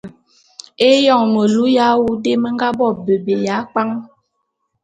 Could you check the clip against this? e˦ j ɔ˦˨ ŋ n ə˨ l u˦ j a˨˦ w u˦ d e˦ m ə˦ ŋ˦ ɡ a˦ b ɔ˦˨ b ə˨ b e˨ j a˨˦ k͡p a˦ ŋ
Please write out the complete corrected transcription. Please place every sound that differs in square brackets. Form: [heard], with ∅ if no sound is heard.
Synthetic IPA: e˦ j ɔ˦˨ ŋ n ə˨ l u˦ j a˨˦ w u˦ d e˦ m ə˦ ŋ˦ ɡ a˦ b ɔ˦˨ b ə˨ b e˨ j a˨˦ k͡p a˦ ŋ

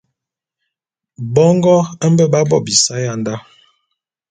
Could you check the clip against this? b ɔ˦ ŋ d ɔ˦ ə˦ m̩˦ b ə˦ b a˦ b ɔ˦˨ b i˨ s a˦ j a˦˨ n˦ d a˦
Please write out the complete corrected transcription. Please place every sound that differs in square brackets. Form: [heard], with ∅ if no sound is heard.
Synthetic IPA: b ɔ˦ ŋ [ɡ] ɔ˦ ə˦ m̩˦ b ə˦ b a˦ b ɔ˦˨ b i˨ s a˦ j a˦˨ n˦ d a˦

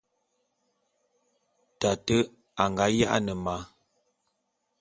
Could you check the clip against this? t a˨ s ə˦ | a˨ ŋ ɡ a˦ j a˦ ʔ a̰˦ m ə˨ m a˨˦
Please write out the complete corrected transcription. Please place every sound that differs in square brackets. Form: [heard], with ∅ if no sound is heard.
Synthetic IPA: t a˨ [t] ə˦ | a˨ ŋ ɡ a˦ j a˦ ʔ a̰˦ [n] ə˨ m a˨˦

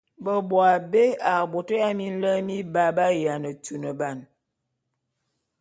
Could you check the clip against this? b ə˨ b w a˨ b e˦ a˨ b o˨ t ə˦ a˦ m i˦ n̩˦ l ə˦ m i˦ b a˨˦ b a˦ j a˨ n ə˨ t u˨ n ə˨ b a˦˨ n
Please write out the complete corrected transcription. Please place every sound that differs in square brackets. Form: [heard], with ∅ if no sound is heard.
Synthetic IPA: b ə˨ b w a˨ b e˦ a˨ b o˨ t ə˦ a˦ m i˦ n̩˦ l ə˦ m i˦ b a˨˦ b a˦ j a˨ n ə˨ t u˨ n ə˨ b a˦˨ n

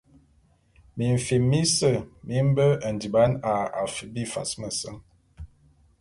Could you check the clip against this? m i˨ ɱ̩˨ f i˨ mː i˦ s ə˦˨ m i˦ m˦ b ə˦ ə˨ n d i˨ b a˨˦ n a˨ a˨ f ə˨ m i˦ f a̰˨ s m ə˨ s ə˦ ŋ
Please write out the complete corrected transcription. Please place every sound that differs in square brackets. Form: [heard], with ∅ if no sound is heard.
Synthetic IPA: m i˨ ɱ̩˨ f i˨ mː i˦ s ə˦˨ m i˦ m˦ b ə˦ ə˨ n d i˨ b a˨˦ n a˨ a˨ f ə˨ [b] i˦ f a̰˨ s m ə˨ s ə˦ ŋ

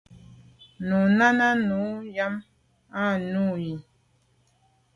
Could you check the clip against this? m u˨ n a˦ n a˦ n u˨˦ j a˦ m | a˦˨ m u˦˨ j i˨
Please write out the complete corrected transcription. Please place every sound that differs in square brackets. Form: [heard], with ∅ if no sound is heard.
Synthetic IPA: [n] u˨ n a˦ n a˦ n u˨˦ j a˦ m | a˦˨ [n] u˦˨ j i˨

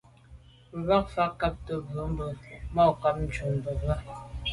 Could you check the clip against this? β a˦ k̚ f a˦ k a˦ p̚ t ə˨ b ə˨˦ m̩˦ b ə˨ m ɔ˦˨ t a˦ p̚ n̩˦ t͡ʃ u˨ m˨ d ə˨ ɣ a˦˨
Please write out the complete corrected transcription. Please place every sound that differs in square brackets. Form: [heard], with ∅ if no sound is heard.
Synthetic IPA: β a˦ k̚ f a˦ k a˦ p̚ t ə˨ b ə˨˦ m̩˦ b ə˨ m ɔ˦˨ [k] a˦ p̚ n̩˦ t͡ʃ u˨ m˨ [b] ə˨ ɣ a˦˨

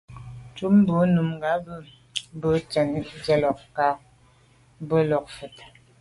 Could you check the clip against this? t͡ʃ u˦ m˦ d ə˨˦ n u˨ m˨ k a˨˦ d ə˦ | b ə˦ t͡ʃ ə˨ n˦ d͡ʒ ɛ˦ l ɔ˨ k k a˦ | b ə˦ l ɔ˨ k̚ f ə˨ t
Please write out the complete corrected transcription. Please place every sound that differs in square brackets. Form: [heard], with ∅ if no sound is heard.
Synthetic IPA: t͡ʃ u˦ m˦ [b] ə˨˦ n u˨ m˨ [ɡ] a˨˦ [b] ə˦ | b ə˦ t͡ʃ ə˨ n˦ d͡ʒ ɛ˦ l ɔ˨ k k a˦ | b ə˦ l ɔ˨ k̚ f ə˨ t

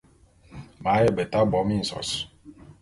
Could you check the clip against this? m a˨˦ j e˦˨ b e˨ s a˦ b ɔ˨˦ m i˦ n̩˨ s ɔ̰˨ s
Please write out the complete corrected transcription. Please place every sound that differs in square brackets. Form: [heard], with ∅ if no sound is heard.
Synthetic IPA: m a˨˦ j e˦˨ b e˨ [t] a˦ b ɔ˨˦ m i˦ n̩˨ s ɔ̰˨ s

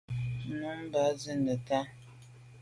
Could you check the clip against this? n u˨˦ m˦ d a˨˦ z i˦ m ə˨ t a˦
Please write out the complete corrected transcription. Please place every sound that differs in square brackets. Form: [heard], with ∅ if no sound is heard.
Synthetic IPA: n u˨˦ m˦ [b] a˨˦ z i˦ [n] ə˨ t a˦

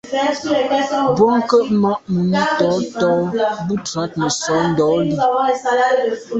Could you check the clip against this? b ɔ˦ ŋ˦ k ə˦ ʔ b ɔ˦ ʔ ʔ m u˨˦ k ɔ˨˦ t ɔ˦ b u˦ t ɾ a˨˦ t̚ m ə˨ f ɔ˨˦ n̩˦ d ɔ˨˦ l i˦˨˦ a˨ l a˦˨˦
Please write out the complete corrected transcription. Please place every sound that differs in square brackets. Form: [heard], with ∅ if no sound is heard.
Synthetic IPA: b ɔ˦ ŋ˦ k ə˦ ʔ [m] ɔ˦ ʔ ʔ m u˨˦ [t] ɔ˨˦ t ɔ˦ b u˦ t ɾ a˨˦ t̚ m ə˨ [s] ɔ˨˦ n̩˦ d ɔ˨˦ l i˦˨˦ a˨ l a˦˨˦

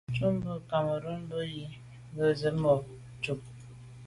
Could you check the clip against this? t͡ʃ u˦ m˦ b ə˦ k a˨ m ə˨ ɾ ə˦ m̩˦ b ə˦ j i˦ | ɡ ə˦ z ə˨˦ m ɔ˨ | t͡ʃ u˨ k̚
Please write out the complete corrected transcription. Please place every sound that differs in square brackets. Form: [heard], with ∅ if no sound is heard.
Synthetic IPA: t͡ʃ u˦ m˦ b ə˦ k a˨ m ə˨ ɾ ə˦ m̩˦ b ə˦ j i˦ | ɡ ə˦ z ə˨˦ m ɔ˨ | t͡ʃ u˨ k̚

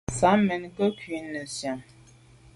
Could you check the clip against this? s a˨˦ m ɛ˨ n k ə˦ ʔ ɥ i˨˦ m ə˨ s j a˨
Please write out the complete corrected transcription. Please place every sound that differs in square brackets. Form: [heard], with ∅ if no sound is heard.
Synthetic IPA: s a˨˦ m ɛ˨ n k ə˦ [k] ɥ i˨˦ [n] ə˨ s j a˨

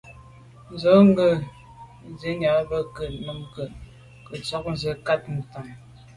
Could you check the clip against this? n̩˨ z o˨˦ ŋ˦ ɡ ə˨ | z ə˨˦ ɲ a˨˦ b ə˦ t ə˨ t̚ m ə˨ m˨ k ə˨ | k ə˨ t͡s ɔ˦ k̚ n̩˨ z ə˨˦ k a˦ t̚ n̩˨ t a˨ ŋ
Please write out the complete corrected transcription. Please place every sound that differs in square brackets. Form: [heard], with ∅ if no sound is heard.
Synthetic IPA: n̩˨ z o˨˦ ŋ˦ ɡ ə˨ | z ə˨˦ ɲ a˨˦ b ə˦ [k] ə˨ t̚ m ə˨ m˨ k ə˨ | k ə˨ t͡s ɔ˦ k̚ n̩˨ z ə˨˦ k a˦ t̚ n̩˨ t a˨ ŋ

